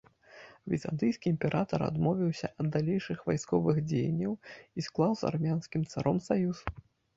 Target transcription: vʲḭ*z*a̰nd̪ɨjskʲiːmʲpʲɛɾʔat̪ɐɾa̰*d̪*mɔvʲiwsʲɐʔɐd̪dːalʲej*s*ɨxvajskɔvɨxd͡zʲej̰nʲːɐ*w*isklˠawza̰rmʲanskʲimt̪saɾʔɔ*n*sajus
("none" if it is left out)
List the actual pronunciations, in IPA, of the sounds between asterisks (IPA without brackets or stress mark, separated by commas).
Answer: z, d̪, ʂ, w, m